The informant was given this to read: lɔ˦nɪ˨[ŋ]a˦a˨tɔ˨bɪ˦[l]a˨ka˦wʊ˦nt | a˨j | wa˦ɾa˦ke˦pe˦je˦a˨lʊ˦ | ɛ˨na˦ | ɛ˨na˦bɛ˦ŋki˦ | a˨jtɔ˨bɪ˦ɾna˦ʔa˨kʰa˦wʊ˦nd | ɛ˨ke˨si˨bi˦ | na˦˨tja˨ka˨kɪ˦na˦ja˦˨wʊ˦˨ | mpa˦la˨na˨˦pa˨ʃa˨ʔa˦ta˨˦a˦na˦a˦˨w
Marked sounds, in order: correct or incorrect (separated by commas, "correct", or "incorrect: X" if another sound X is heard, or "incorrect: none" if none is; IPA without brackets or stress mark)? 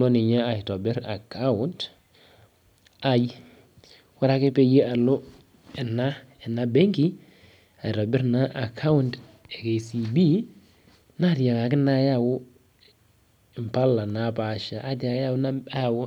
incorrect: ɲ, incorrect: ɾ